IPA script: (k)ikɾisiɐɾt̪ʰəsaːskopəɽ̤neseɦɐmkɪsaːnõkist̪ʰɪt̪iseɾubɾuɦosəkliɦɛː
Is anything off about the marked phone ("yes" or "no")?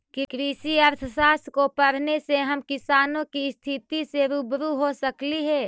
no